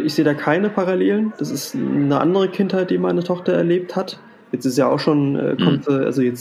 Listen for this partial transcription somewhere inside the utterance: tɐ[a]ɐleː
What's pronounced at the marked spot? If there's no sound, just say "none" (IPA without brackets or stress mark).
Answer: ɛ